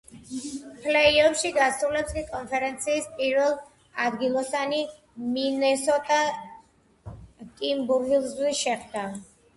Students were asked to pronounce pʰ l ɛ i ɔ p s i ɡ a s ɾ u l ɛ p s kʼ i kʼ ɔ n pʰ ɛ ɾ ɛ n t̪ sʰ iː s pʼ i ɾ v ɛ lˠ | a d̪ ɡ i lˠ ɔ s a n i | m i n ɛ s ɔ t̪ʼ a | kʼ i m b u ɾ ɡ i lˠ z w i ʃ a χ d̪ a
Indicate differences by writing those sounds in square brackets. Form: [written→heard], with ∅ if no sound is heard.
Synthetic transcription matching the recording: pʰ l ɛ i ɔ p [s→ʃ] i ɡ a s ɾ u l ɛ p s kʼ i kʼ ɔ n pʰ ɛ ɾ ɛ n t̪ sʰ iː s pʼ i ɾ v ɛ lˠ | a d̪ ɡ i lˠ ɔ s a n i | m i n ɛ s ɔ t̪ʼ a | kʼ i m b u ɾ ɡ i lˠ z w i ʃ [a→ɛ] χ d̪ a